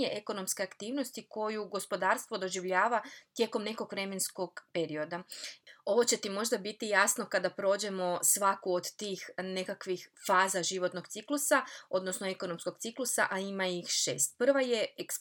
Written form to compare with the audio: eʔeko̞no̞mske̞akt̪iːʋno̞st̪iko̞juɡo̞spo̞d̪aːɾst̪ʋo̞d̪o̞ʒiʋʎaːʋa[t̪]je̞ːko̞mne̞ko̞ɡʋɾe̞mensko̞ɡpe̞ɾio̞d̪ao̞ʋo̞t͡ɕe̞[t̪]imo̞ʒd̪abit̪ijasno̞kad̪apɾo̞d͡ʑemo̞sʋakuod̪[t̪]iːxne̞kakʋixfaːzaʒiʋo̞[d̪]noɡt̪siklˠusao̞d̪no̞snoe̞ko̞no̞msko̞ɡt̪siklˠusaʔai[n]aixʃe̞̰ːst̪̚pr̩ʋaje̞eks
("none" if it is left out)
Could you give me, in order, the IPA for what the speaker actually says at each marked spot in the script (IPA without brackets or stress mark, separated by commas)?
t̪, t̪, t̪, t̪, m